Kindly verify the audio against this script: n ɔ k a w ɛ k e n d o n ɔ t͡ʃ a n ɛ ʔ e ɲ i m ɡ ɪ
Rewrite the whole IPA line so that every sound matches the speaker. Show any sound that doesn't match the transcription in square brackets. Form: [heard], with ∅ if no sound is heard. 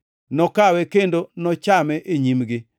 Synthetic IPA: n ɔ k a w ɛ k e n d o n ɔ t͡ʃ a [m] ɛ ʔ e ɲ i m ɡ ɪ